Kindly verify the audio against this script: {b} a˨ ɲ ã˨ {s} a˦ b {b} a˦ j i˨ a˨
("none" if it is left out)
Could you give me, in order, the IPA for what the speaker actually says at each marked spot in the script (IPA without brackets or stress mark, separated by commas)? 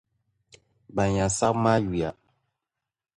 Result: b, s, m